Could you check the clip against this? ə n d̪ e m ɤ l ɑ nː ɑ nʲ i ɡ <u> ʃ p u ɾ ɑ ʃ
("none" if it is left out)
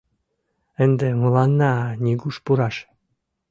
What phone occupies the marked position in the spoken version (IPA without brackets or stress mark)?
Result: u